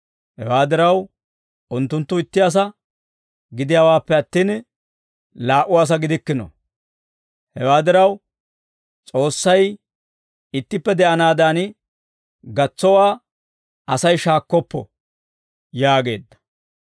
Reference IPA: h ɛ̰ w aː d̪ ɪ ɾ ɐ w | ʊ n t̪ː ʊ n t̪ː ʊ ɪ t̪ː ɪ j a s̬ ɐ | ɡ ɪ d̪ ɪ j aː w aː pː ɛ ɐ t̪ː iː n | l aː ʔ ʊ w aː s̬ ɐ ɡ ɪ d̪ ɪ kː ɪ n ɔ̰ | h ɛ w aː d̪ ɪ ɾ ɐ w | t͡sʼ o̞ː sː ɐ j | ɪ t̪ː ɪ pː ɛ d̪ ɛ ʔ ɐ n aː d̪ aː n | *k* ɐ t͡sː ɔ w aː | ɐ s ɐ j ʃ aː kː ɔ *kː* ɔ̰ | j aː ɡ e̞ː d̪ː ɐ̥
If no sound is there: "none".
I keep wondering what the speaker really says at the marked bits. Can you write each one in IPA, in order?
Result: ɡ, pː

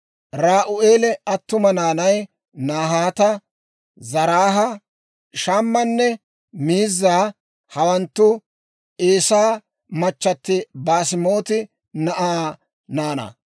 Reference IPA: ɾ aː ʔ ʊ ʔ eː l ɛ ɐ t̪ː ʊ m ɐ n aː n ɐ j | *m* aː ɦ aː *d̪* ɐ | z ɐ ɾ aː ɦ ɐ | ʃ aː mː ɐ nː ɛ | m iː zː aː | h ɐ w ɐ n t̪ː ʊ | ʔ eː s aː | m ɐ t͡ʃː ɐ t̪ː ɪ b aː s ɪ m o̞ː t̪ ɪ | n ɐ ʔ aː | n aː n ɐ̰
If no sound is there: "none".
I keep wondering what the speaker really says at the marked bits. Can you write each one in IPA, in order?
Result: n, t̪

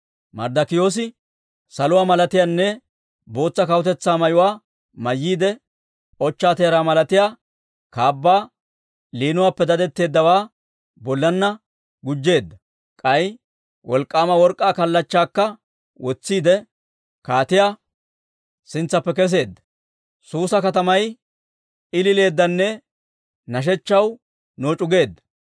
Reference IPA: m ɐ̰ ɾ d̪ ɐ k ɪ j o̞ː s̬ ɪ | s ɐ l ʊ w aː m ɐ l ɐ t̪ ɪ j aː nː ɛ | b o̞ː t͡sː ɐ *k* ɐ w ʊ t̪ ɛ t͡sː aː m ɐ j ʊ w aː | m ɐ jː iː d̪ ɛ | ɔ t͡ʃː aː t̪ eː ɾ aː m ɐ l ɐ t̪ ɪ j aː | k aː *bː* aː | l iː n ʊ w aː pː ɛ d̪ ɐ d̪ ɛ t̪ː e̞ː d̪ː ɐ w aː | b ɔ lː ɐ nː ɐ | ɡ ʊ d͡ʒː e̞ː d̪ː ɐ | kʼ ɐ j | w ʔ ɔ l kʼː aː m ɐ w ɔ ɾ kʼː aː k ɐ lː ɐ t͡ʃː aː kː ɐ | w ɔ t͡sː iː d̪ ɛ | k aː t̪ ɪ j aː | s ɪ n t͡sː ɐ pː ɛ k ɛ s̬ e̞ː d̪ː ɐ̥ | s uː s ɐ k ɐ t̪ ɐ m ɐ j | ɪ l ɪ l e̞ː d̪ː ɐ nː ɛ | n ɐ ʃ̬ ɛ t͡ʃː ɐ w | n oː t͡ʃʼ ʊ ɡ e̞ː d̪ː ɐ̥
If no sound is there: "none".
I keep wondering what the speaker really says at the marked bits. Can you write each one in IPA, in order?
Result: k, bː

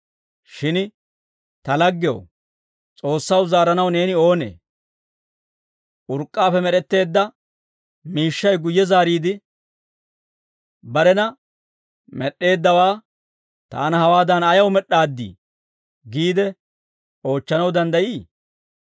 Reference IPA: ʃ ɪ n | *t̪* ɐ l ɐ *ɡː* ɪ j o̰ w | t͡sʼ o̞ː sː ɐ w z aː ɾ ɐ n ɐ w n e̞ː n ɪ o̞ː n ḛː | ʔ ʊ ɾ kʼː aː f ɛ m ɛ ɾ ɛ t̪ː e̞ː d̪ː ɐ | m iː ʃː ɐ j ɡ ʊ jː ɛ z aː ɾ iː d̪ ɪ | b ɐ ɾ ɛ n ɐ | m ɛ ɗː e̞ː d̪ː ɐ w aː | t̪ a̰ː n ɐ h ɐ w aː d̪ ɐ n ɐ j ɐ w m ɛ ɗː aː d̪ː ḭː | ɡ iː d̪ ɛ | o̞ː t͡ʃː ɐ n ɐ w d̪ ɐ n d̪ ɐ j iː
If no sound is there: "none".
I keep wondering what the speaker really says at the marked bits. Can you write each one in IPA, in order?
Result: t̪, ɡː

